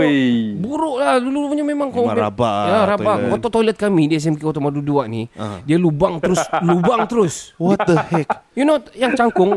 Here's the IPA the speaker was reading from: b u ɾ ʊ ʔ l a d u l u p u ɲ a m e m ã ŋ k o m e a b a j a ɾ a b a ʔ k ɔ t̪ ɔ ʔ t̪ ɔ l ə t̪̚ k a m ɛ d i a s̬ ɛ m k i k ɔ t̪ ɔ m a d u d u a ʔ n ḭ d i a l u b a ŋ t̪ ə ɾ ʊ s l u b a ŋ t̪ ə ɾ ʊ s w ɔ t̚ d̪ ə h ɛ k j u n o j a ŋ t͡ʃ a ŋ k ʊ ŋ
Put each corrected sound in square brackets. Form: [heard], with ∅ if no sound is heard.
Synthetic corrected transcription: b u ɾ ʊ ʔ l a d u l u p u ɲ a m e m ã ŋ k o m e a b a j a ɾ a b a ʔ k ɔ t̪ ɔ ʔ t̪ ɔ l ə t̪̚ k a m [i] d i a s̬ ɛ m k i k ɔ t̪ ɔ m a d u d u a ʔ n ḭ d i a l u b a ŋ t̪ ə ɾ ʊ s l u b a ŋ t̪ ə ɾ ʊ s w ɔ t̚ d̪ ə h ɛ k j u n o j a ŋ t͡ʃ a ŋ k ʊ ŋ